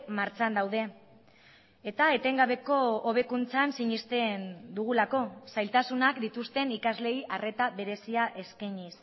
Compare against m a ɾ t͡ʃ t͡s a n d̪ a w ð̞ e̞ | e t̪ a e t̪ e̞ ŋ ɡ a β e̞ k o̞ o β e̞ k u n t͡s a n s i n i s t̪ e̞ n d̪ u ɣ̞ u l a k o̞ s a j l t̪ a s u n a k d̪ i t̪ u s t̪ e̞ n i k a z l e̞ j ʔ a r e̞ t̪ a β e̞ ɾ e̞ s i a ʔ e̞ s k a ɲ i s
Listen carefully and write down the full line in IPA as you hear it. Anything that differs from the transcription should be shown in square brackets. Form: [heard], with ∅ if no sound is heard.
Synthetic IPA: m a ɾ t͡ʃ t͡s a n d̪ a w ð̞ e̞ | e t̪ a e t̪ e̞ ŋ ɡ a β e̞ k o̞ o β e̞ k u n t͡s a n s i [ɲ] i s t̪ e̞ n d̪ u ɣ̞ u l a k o̞ s a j l t̪ a s u n a k d̪ i t̪ u s t̪ e̞ n i k a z l e̞ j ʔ a r e̞ t̪ a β e̞ ɾ e̞ s i a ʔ e̞ s k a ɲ i s